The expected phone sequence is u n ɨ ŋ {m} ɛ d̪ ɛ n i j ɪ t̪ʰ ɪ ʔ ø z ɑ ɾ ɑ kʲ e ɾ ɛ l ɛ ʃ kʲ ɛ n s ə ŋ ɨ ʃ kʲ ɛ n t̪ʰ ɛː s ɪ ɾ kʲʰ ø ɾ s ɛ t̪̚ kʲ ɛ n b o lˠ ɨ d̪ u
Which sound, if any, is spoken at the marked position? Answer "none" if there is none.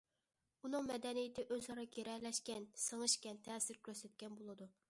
m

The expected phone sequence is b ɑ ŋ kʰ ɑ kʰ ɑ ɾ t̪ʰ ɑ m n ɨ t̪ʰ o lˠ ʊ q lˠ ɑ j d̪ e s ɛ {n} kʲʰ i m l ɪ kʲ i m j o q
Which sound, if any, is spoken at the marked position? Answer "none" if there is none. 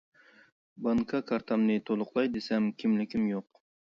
m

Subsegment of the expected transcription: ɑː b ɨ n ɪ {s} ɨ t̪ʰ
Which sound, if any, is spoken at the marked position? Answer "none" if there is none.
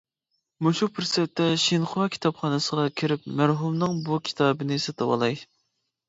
s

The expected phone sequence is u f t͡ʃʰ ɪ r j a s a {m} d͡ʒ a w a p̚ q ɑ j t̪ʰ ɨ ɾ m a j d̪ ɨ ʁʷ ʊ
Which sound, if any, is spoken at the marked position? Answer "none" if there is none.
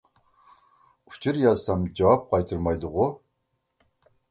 m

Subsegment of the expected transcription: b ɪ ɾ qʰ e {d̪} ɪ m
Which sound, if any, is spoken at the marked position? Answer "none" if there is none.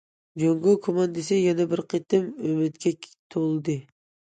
t̪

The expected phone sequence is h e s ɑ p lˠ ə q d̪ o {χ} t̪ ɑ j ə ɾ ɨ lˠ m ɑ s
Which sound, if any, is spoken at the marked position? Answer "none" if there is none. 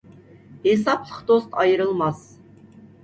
s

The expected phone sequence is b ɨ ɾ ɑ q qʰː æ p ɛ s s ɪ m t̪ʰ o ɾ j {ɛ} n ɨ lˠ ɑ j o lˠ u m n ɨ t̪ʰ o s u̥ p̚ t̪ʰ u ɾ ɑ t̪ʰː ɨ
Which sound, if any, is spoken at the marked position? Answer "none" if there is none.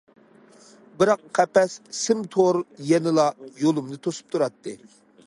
ɛ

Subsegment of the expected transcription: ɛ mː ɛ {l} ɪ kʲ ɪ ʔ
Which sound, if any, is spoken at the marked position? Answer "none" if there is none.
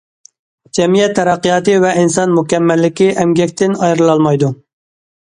lː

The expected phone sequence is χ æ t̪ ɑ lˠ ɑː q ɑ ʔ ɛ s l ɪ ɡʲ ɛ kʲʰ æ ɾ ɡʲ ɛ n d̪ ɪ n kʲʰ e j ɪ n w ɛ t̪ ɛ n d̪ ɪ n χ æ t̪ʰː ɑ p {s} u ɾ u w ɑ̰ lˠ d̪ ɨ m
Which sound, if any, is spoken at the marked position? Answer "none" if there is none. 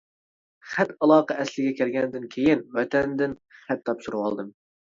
ʃ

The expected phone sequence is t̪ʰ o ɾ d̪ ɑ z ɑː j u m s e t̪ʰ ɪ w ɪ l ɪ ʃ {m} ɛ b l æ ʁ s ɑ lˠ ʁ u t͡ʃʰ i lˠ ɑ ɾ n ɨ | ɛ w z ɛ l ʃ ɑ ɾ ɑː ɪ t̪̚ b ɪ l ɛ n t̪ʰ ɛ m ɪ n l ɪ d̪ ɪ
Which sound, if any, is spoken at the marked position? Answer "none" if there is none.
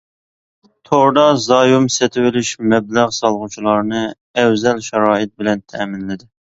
m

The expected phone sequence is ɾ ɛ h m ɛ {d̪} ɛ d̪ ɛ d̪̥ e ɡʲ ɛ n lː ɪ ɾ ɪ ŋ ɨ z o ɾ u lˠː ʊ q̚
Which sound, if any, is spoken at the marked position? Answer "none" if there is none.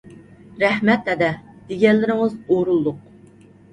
t̪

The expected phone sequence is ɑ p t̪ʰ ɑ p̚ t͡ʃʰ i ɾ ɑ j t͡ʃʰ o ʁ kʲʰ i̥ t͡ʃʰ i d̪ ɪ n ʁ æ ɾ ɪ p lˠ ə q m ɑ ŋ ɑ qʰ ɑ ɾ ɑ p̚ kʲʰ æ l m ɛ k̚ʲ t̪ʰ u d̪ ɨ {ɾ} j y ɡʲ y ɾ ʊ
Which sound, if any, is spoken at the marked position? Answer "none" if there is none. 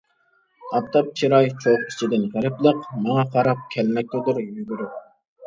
ɾ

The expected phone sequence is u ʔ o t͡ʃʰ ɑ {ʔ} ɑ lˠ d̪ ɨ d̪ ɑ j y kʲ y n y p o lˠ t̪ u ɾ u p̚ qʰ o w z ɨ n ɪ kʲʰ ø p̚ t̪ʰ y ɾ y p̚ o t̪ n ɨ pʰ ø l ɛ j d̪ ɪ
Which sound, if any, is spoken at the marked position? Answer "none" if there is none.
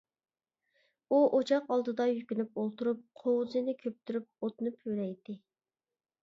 q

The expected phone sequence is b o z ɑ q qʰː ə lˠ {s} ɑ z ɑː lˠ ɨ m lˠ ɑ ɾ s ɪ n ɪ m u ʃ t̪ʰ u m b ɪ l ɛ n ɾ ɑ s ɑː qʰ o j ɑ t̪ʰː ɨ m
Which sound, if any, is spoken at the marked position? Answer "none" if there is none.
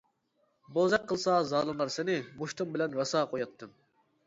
s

